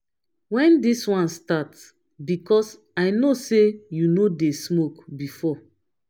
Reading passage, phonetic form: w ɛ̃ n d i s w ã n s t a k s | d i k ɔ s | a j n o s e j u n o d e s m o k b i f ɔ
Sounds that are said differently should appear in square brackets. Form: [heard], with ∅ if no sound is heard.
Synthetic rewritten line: w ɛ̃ n d i s w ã n s t a [t] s | [b] i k ɔ s | a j n o s e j u n o d e s m o k b i f ɔ